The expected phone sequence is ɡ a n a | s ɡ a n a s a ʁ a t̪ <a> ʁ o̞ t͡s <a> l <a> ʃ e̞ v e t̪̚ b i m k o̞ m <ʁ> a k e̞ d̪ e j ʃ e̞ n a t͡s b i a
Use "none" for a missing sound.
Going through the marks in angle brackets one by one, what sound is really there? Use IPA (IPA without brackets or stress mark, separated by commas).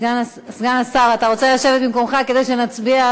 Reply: a, e, a, χ